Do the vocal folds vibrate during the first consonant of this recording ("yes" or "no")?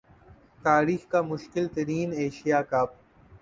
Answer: no